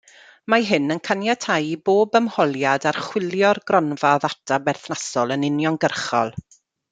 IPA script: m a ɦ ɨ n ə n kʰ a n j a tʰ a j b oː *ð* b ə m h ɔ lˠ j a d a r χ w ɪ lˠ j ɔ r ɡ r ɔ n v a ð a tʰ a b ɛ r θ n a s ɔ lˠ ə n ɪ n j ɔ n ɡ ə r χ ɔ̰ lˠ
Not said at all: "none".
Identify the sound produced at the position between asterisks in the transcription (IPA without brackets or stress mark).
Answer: none